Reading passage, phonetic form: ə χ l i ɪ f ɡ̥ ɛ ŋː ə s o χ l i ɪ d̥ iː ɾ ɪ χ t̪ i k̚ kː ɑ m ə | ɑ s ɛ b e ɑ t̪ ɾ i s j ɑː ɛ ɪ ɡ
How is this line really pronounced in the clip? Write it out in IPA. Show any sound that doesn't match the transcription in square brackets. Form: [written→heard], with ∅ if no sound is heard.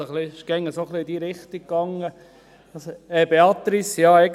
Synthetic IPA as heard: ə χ l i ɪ [f→ʃ] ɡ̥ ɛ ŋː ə s o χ l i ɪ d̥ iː ɾ ɪ χ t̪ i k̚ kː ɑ [m→ŋ] ə | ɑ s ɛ b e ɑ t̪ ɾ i s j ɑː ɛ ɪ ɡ

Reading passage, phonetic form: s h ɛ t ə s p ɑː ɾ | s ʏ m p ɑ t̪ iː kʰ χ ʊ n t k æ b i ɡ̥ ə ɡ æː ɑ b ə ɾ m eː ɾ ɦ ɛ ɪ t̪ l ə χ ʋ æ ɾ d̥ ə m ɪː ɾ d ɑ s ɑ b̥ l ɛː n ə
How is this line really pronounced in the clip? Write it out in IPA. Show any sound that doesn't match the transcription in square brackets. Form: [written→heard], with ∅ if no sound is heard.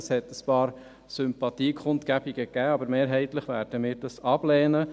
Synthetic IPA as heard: s h ɛ t ə s p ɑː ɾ | s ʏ m p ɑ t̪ iː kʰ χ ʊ n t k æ b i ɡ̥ ə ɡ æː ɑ b ə ɾ m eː ɾ ɦ ɛ ɪ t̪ l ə χ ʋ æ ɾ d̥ ə m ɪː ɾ d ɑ s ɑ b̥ l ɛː n ə

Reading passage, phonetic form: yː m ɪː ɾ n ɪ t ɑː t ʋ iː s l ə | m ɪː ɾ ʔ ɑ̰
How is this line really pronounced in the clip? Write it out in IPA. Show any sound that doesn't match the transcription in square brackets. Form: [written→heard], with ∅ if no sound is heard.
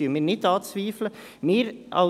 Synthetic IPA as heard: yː m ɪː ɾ n ɪ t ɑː [t→t͡s] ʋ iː [s→f] l ə | m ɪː ɾ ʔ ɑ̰

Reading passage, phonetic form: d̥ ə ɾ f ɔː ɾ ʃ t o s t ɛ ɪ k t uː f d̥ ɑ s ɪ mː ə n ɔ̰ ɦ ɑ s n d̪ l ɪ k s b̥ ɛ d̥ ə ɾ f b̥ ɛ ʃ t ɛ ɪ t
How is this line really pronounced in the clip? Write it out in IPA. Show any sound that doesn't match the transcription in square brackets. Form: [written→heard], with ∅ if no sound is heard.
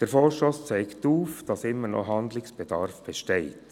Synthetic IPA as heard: d̥ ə ɾ f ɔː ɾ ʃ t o s [t→t͡s] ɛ ɪ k t uː f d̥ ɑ s ɪ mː ə n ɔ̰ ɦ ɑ [s→∅] n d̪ l ɪ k s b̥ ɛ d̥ [ə→ɑ] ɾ f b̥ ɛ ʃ t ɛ ɪ t

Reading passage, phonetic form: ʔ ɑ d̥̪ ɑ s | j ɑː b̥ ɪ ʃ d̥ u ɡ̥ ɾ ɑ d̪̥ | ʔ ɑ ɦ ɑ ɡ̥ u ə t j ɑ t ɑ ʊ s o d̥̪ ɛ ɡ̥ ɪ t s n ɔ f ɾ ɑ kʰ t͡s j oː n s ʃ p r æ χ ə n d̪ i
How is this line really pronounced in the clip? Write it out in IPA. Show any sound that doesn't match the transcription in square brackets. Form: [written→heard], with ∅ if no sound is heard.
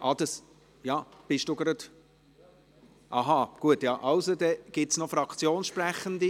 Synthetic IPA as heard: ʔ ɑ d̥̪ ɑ s | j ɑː b̥ ɪ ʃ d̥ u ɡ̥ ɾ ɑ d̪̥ | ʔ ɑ ɦ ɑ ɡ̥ u ə t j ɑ [t→ʔ] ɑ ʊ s o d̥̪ ɛ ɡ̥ ɪ t s n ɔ f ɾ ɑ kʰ t͡s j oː n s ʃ p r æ χ ə n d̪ i

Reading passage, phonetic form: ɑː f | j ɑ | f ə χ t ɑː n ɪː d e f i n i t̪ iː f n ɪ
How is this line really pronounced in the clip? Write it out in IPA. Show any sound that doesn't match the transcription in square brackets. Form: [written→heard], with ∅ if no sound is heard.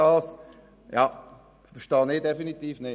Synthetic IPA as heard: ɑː [f→s] | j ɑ | f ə [χ→ʃ] t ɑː n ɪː d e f i n i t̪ iː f n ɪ

